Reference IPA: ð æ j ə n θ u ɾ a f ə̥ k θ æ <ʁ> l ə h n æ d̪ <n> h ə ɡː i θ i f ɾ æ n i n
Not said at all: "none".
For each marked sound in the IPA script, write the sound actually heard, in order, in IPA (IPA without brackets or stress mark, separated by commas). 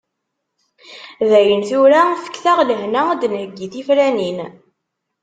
ʁ, n